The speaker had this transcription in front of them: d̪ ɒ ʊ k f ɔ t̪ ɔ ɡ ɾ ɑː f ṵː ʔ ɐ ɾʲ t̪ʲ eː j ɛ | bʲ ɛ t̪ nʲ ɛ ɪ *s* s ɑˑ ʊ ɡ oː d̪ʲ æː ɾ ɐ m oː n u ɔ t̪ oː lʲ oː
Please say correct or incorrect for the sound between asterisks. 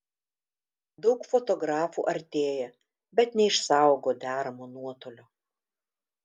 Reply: incorrect